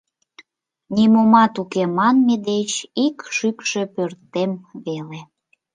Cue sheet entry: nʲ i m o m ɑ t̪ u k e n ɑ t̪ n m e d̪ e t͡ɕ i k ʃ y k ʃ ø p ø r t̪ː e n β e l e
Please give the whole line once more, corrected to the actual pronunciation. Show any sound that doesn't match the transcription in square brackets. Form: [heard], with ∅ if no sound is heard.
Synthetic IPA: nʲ i m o m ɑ t̪ u k e [m] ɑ [∅] n m e d̪ e t͡ɕ i k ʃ y k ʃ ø p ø r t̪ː e [m] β e l e